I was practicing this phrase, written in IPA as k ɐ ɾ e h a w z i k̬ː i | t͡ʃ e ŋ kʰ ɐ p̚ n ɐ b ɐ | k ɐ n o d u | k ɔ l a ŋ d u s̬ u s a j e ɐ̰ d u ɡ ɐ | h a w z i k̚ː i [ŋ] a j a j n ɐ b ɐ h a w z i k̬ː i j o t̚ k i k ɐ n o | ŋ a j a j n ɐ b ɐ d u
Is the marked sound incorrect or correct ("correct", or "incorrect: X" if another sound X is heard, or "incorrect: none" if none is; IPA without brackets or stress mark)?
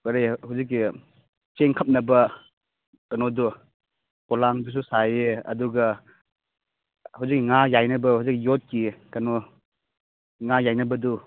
correct